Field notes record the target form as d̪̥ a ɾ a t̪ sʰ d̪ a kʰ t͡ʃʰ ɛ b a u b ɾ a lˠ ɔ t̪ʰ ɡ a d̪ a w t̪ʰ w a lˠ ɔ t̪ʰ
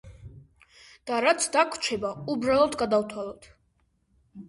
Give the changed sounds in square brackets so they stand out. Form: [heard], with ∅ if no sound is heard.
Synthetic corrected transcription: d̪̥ a ɾ a t̪ sʰ d̪ a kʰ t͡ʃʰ ɛ b a u b ɾ a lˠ ɔ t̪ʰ ɡ a d̪ a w t̪ʰ w a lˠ ɔ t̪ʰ

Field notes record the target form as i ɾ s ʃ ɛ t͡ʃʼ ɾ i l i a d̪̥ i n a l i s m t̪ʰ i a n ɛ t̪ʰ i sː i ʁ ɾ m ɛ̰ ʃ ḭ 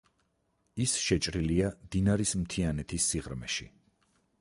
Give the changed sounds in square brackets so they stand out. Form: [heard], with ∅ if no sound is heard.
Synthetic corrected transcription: i [∅] s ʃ ɛ t͡ʃʼ ɾ i l i a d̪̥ i n a [ɾ] i s m t̪ʰ i a n ɛ t̪ʰ i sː i ʁ ɾ m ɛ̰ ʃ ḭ

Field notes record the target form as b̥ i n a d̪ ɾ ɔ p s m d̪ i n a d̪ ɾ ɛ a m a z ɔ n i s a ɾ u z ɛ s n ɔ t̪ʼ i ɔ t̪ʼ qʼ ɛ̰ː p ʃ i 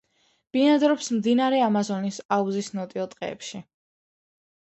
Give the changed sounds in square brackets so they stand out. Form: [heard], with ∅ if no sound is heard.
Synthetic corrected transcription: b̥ i n a d̪ ɾ ɔ p s m d̪ i n a [∅] ɾ ɛ a m a z ɔ n i s a [∅] u z [i] s n ɔ t̪ʼ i ɔ t̪ʼ qʼ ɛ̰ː p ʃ i

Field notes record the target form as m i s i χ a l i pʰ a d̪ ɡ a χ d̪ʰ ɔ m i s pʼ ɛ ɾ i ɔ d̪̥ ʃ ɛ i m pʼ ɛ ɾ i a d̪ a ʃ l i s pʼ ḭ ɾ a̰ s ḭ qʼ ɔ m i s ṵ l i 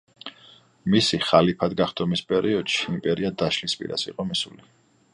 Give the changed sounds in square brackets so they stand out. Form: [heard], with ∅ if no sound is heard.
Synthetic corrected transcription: m i s i χ a l i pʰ a d̪ ɡ a χ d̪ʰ ɔ m i s pʼ ɛ ɾ i ɔ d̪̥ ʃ [i] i m pʼ ɛ ɾ i a d̪ a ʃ l i s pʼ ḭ ɾ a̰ s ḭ qʼ ɔ m i s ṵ l i

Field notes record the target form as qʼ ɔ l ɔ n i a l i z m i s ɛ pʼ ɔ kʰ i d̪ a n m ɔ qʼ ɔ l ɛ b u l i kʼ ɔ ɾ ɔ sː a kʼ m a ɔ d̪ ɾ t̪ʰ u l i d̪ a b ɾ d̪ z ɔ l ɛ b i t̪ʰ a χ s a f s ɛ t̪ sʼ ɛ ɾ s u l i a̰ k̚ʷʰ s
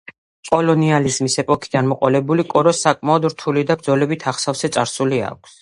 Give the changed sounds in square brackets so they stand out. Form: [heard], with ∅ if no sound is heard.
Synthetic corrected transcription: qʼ ɔ l ɔ n i a l i z m i s ɛ pʼ ɔ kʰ i d̪ a n m ɔ qʼ ɔ l ɛ b u l i kʼ ɔ ɾ ɔ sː a kʼ m a ɔ d̪ ɾ t̪ʰ u l i d̪ a b ɾ d̪ z ɔ l ɛ b i t̪ʰ a χ s a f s ɛ t̪ sʼ [a] ɾ s u l i a̰ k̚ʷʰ s

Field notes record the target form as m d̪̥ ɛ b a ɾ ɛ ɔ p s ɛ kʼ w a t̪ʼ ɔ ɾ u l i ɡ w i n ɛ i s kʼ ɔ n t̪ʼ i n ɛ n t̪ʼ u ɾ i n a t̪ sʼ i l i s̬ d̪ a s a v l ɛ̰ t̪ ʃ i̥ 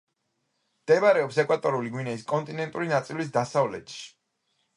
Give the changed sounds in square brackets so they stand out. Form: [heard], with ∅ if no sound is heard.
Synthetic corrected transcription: m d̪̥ ɛ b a ɾ ɛ ɔ p s ɛ kʼ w a t̪ʼ ɔ ɾ u l i ɡ w i n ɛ i s kʼ ɔ n t̪ʼ i n ɛ n t̪ʼ u ɾ i n a t̪ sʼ i l i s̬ d̪ a s a v l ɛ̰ t̪ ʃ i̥

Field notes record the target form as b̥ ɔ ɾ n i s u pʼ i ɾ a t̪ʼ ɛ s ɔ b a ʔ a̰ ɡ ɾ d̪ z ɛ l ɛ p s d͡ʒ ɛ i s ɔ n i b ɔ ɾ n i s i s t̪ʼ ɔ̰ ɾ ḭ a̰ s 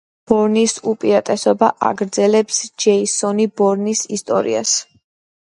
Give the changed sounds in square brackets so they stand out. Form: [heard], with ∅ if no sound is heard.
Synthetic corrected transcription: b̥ ɔ ɾ n i s u pʼ i ɾ a t̪ʼ ɛ s ɔ b a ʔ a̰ ɡ ɾ d̪ z ɛ l ɛ p s d͡ʒ ɛ i s ɔ n i b ɔ ɾ n i s i s t̪ʼ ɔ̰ ɾ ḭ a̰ s

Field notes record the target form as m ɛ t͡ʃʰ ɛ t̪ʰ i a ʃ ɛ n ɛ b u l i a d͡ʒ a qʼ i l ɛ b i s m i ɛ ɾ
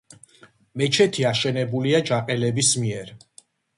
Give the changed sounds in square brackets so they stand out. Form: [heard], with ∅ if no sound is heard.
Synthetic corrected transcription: m ɛ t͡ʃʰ ɛ t̪ʰ i a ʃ ɛ n ɛ b u l i a d͡ʒ a qʼ [ɛ] l ɛ b i s m i ɛ ɾ

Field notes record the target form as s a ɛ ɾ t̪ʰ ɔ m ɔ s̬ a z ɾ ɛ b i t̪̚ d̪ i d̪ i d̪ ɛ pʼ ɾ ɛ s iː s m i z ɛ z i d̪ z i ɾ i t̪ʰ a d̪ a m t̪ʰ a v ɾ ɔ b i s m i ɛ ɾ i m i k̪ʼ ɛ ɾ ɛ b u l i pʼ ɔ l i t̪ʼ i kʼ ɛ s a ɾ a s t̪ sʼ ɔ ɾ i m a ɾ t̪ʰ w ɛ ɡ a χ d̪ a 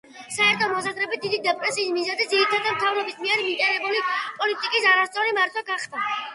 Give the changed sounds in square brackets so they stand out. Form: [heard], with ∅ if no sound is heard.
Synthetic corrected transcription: s a ɛ ɾ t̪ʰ ɔ m ɔ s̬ a z ɾ ɛ b i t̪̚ d̪ i d̪ i d̪ ɛ pʼ ɾ ɛ s iː s m i z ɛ z i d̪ z i ɾ i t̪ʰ a d̪ a m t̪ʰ a v ɾ ɔ b i s m i ɛ ɾ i m i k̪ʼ ɛ ɾ ɛ b u l i pʼ ɔ l i t̪ʼ i kʼ [i] s a ɾ a s t̪ sʼ ɔ ɾ i m a ɾ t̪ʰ w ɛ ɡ a χ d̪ a

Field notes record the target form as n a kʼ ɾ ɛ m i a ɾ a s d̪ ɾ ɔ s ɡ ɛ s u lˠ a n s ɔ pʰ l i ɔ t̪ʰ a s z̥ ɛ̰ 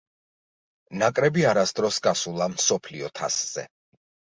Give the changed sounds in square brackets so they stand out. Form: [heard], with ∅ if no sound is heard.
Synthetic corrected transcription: n a kʼ ɾ ɛ [b] i a ɾ a s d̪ ɾ ɔ s ɡ [a] s u lˠ a [m] s ɔ pʰ l i ɔ t̪ʰ a s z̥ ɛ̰

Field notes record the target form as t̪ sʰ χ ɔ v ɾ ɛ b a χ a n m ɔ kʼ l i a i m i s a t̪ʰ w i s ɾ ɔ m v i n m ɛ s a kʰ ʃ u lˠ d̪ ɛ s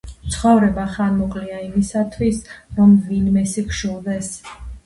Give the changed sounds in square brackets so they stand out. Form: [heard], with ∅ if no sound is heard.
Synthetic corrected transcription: t̪ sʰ χ ɔ v ɾ ɛ b a χ a n m ɔ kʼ l i a i m i s a t̪ʰ w i s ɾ ɔ m v i n m ɛ s [i] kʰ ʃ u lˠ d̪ ɛ s

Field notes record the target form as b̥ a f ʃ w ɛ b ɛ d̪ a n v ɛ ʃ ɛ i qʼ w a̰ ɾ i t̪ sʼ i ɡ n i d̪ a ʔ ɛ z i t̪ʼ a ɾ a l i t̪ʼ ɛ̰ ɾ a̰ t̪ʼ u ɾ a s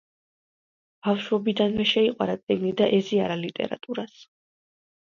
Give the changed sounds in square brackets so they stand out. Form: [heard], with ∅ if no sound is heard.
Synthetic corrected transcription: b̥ a f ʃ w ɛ b [i] d̪ a n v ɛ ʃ ɛ i qʼ w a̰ ɾ [a] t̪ sʼ i ɡ n i d̪ a ʔ ɛ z i [∅] a ɾ a l i t̪ʼ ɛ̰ ɾ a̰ t̪ʼ u ɾ a s

